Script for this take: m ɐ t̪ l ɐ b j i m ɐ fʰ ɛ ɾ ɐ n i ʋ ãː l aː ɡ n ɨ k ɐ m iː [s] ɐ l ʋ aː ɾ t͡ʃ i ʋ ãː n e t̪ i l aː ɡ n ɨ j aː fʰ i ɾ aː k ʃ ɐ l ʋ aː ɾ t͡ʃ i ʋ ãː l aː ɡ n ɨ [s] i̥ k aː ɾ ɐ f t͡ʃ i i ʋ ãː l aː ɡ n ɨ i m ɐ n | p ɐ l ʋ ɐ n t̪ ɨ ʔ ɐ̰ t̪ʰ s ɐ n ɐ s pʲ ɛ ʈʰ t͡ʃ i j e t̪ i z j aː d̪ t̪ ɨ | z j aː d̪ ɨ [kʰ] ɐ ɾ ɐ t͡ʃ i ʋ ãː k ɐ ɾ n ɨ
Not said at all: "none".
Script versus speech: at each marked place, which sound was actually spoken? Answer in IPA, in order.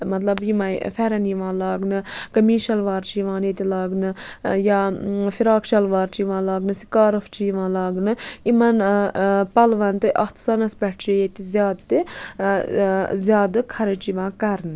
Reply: ʃ, s, kʰ

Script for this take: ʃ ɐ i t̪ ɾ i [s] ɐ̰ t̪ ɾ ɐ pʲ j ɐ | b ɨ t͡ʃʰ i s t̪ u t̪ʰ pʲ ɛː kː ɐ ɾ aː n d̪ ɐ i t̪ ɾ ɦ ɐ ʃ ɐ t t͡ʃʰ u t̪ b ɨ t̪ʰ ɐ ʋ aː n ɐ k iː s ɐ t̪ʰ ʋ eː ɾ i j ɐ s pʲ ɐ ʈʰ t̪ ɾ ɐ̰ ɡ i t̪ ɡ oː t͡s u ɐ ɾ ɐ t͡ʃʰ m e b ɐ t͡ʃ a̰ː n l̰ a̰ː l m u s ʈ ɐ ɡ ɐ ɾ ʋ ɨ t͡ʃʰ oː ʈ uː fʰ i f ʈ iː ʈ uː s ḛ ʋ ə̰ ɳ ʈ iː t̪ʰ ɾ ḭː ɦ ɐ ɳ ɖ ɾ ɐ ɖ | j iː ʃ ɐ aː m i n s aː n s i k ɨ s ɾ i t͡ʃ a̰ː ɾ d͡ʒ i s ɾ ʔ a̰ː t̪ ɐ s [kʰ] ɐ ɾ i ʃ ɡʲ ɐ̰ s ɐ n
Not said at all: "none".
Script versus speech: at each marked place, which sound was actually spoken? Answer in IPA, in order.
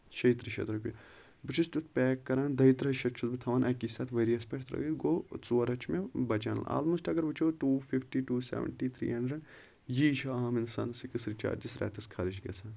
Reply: ʃ, kʰ

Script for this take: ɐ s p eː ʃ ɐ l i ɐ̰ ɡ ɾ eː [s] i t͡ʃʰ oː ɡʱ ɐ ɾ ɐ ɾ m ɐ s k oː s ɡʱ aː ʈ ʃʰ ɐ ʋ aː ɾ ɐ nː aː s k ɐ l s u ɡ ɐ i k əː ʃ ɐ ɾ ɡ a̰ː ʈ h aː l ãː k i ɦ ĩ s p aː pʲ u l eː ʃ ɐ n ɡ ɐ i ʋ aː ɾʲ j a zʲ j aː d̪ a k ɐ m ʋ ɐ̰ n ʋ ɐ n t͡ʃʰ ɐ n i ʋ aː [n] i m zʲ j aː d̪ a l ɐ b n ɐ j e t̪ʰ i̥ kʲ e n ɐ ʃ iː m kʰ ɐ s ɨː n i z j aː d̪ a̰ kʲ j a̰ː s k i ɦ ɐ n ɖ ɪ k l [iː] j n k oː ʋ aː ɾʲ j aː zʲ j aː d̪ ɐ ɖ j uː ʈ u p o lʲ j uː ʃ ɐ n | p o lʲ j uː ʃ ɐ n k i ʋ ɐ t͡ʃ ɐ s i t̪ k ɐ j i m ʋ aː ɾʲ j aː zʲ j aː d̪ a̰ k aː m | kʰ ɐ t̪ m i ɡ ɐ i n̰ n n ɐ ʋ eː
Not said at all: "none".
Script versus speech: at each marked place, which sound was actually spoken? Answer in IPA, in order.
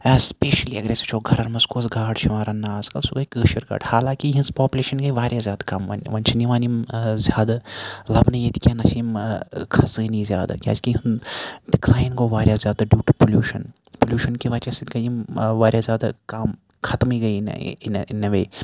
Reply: s, n, aː

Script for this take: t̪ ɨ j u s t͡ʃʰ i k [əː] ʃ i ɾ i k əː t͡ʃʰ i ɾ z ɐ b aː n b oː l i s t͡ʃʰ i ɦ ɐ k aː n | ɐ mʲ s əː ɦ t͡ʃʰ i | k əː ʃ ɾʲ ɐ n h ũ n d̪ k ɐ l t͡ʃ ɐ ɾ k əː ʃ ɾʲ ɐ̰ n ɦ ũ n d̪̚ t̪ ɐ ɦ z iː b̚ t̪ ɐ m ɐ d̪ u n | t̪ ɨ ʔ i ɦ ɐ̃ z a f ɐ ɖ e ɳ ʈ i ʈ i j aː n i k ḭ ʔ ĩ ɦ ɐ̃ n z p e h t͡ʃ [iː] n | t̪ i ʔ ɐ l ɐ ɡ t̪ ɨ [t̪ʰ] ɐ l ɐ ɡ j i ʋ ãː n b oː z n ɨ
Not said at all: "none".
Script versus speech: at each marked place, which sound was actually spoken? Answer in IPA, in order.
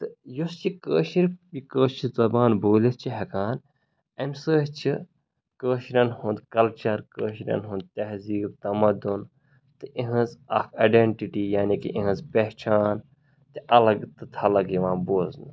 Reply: əː, aː, t̪ʰ

